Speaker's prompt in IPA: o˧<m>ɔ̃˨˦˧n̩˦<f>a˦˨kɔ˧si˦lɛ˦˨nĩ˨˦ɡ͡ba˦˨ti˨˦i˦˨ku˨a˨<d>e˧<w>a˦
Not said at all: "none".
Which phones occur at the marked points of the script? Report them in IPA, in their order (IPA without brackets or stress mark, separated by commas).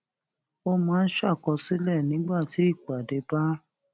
m, ʃ, d, b